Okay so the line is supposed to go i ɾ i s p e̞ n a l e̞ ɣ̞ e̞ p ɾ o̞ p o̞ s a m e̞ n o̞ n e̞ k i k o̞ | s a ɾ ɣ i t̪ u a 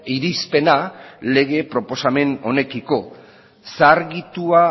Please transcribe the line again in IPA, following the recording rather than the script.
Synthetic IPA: i ɾ i s p e̞ n a l e̞ ɣ̞ e̞ p ɾ o̞ p o̞ s a m e̞ n o̞ n e̞ k i k o̞ | s a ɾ ɣ i t̪ u a